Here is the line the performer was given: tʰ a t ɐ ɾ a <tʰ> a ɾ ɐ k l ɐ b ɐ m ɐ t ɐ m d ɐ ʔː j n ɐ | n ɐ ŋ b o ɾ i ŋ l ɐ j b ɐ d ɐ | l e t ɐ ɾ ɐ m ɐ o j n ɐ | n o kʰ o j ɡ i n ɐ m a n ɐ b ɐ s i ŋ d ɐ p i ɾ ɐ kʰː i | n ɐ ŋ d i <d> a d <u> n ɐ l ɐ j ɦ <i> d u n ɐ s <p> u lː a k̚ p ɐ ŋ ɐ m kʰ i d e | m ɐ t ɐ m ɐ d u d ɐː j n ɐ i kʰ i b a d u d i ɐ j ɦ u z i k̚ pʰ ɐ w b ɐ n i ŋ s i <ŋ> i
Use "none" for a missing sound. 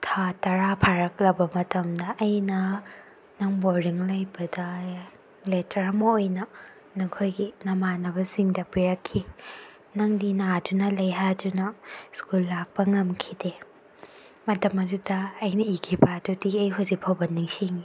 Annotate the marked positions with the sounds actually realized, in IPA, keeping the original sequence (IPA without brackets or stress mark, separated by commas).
pʰ, n, u, a, k, ŋ